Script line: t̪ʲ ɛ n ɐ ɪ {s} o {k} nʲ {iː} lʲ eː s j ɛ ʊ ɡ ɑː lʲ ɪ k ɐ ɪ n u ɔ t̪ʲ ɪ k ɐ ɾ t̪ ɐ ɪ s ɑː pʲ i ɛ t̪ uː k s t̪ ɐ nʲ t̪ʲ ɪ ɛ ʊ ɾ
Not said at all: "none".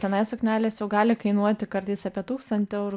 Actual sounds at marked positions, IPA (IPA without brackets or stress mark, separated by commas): s, k, æː